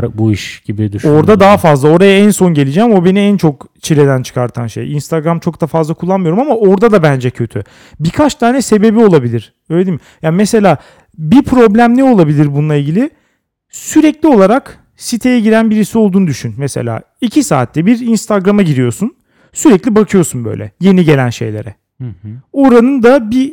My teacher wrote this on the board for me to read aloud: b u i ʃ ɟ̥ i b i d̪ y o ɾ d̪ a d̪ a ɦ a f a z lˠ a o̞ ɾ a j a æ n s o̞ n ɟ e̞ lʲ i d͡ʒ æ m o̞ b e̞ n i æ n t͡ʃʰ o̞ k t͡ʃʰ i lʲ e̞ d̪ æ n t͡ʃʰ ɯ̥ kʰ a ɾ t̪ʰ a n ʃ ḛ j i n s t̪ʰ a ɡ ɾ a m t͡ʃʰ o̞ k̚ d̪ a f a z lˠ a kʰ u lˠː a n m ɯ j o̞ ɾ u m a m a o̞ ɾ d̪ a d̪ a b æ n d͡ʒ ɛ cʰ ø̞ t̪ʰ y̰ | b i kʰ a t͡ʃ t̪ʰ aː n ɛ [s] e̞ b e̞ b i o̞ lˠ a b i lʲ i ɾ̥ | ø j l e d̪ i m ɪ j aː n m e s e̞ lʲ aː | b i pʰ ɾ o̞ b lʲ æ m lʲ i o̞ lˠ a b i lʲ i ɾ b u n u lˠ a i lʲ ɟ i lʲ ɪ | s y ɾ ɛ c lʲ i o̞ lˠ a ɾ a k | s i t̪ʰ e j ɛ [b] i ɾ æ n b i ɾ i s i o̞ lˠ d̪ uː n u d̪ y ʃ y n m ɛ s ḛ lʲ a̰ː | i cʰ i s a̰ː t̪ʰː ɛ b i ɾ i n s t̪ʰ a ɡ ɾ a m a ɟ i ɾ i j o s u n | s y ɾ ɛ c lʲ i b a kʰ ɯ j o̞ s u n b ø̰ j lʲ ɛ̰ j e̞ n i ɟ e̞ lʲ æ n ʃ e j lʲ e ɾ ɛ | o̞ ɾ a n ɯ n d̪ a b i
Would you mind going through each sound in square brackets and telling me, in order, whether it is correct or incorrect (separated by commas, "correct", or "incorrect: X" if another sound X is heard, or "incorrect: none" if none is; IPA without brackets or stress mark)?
correct, incorrect: ɟ